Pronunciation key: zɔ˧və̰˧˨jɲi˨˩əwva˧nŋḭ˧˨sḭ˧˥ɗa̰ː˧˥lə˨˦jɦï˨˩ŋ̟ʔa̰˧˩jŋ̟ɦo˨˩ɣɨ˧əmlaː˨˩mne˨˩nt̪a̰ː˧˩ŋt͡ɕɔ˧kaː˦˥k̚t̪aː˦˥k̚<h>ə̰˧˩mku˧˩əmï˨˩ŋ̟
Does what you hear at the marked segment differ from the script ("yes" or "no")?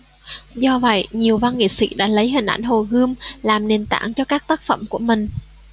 yes